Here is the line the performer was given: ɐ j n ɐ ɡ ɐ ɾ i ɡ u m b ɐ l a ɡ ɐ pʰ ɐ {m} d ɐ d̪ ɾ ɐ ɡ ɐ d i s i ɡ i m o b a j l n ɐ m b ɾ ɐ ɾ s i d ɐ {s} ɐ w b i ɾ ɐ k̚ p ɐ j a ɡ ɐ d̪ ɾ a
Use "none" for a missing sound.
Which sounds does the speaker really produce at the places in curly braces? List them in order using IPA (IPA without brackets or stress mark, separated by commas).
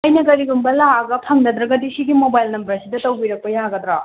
ŋ, t